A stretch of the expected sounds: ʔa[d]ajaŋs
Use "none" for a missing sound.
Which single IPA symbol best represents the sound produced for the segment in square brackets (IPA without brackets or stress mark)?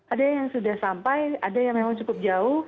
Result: d